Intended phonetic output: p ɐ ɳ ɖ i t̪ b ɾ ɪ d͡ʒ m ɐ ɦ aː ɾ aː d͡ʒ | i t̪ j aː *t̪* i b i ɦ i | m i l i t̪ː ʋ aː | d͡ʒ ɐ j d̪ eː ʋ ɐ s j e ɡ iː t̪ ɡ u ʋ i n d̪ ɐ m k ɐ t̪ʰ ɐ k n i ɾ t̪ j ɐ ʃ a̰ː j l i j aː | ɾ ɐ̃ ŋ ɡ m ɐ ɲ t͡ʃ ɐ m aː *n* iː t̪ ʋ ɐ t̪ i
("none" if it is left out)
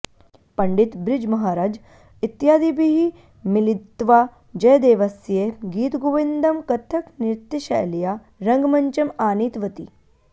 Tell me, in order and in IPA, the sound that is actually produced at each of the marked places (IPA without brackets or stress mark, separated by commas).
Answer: d̪, n